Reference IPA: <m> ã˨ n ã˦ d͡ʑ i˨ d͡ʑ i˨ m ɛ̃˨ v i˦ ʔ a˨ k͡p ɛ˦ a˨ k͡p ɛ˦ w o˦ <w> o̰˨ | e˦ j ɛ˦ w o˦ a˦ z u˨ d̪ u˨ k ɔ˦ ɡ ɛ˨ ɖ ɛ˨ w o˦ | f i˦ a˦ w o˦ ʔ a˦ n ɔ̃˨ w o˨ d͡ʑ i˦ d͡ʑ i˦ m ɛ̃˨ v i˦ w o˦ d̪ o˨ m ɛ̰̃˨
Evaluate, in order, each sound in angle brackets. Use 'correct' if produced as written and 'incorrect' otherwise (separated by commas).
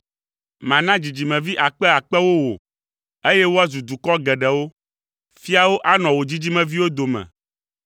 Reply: correct, correct